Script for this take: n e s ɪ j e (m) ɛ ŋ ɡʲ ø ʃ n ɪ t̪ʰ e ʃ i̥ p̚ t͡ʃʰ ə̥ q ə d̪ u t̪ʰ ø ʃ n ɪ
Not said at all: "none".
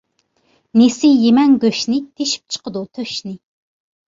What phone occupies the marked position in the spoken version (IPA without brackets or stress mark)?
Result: m